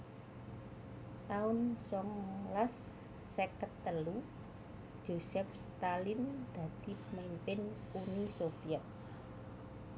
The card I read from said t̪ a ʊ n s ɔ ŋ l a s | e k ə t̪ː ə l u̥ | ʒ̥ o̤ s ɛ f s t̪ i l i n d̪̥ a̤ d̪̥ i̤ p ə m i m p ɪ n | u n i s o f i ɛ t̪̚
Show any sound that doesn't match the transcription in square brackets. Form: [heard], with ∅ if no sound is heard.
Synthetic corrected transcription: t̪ a ʊ n s ɔ ŋ l a [sː] | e k ə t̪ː ə l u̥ | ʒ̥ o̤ s ɛ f s t̪ [a] l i n d̪̥ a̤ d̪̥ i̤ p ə m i m p ɪ n | u n i s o f i ɛ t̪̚